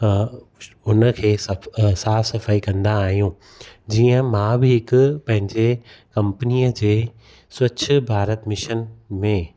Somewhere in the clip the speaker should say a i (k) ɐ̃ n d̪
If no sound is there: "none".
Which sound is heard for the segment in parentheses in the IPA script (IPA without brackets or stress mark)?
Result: k